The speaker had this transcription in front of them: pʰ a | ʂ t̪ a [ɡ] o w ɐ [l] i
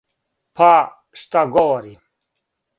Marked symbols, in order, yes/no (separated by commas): yes, no